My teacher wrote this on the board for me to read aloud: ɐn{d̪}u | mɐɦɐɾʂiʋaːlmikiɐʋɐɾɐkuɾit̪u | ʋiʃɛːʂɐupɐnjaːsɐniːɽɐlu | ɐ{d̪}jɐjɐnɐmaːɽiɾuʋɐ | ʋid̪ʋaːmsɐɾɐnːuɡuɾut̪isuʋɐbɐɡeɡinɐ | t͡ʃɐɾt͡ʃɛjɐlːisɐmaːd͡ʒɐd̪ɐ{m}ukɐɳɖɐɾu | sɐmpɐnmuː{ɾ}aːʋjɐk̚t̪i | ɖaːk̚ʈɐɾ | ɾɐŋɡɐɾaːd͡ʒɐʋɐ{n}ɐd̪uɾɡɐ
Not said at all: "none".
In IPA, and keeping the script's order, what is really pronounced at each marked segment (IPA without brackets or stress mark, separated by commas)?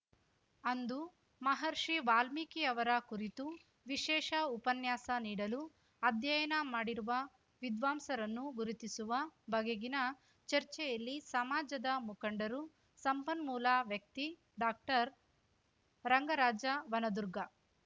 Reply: d̪, d̪, m, l, n